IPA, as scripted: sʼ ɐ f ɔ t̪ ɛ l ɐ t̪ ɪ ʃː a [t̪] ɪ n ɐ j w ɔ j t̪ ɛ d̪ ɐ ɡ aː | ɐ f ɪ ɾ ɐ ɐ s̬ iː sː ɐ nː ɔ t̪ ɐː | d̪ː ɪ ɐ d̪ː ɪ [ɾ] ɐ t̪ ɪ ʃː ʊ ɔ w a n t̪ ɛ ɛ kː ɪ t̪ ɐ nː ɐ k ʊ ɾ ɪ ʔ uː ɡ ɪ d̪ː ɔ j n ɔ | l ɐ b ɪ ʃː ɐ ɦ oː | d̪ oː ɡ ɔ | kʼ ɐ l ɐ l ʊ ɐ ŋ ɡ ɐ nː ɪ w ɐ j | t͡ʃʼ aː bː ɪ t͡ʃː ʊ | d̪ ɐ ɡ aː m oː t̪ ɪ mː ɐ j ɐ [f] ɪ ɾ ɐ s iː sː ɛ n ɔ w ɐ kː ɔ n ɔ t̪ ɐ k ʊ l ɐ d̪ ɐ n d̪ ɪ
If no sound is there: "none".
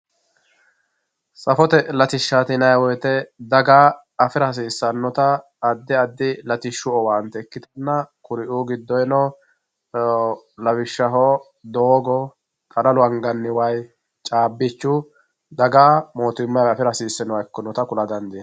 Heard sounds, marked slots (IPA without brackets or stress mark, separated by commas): t̪, l, f